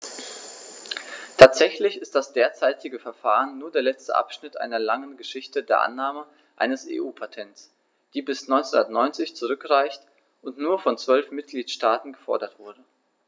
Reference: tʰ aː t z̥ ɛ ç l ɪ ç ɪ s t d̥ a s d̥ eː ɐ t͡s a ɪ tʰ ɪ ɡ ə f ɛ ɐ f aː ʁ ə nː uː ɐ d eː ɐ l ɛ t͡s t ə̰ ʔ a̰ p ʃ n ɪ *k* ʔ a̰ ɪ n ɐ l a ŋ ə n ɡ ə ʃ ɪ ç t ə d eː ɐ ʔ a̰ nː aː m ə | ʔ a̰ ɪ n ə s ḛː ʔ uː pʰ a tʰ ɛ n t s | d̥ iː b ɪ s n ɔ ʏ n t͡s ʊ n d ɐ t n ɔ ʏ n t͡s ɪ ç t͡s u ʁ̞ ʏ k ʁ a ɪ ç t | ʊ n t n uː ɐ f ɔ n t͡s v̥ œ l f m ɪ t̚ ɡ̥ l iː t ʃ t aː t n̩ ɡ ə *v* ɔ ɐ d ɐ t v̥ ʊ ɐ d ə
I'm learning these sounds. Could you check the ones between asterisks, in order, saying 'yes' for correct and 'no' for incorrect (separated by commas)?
no, no